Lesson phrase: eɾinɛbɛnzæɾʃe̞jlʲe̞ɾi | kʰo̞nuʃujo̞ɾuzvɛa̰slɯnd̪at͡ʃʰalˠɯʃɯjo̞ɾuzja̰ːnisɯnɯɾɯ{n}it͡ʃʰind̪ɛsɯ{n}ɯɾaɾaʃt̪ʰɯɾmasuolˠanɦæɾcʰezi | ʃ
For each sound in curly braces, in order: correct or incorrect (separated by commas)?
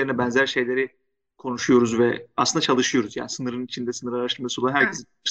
correct, correct